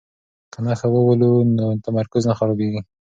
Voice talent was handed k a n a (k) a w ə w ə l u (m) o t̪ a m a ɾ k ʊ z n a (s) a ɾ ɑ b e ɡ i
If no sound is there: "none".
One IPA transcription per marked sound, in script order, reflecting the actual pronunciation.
x, n, x

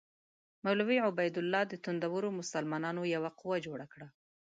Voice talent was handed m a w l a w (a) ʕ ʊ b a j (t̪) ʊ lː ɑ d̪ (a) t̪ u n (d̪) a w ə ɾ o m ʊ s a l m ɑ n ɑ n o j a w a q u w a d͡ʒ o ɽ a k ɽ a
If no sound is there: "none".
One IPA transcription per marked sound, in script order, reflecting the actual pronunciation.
i, d̪, ə, d̪

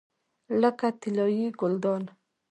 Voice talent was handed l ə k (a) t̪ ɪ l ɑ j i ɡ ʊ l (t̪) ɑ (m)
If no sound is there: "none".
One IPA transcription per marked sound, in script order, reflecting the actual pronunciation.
a, d̪, n

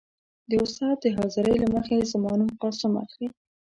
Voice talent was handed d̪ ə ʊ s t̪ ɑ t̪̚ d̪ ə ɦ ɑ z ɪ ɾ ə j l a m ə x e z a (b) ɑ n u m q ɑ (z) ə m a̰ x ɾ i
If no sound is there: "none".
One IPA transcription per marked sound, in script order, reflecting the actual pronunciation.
m, s

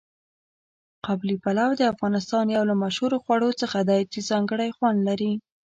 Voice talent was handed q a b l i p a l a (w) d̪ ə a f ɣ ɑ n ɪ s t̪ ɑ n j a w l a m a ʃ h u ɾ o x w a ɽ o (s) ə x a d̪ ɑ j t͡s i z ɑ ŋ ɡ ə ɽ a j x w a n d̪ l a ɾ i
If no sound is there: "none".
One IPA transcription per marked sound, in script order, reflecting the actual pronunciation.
w, t͡s

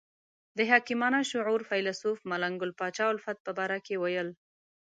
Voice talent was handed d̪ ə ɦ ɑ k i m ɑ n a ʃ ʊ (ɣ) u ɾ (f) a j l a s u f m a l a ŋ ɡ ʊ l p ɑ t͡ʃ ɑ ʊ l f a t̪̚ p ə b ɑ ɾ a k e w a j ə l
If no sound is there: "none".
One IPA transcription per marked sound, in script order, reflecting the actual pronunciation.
ʕ, f

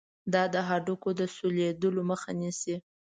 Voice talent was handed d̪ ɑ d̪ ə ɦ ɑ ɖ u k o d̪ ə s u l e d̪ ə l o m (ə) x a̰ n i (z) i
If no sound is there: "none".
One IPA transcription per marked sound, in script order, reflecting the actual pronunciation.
ə, s

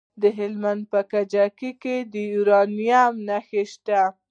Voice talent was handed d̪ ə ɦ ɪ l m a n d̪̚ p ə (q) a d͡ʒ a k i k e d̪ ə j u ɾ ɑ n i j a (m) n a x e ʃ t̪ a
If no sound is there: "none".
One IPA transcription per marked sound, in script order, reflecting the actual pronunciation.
k, m

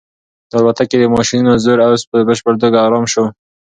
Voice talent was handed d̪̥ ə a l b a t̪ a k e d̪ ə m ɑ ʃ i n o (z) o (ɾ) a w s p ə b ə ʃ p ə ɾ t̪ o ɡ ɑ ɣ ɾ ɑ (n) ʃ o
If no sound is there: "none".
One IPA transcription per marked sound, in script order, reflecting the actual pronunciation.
z, ɾ, m

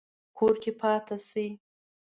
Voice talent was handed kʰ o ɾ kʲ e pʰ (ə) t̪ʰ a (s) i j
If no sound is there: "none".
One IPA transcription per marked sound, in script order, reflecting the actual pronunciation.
ɑ, s

